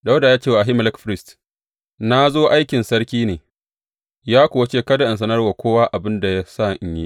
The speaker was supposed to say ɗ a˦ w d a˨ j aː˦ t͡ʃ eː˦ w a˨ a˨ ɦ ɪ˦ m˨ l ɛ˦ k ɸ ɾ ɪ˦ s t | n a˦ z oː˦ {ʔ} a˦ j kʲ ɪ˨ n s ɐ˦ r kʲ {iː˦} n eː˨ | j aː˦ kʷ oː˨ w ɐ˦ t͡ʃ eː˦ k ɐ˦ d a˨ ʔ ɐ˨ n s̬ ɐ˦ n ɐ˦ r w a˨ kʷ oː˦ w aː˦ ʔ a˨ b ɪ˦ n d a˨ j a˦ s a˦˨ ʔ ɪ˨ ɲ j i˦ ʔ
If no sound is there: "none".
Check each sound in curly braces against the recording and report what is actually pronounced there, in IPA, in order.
ʔ, iː˦

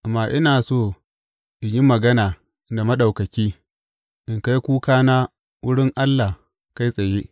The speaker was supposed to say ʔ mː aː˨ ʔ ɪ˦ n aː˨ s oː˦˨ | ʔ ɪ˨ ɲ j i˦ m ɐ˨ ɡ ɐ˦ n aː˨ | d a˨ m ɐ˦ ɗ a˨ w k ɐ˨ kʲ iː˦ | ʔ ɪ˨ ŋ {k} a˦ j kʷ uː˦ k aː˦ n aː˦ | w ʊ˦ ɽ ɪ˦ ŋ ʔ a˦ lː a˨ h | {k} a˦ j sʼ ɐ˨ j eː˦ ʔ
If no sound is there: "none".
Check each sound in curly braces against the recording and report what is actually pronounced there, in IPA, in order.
k, k

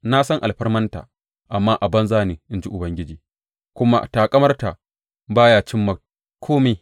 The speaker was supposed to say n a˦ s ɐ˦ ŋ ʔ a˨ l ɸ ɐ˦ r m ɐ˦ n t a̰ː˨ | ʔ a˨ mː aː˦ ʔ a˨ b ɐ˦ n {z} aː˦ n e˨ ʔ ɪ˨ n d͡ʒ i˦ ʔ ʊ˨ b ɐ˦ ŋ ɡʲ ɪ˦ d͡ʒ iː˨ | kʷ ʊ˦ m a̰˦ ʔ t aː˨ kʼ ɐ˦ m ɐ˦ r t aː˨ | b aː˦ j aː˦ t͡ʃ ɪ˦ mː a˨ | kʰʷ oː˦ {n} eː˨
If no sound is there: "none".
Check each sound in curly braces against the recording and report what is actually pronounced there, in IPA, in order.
z, m

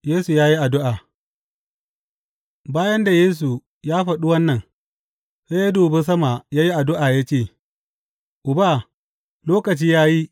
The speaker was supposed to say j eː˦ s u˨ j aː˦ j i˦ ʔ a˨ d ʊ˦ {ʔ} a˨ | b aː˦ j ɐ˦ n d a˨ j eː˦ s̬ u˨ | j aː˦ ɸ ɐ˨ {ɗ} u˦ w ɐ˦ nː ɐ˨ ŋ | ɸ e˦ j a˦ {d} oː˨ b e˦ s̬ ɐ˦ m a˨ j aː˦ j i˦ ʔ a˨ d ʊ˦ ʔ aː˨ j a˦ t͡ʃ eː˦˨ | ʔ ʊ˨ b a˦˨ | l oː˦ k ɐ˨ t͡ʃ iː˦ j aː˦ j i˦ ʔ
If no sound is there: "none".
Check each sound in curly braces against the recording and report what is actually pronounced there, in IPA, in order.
ʔ, ɗ, d

